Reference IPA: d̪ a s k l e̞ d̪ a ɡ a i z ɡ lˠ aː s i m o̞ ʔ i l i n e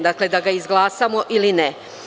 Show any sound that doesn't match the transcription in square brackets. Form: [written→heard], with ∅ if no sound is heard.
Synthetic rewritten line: d̪ a [s→∅] k l e̞ d̪ a ɡ a i z ɡ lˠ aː s [i→a] m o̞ ʔ i l i n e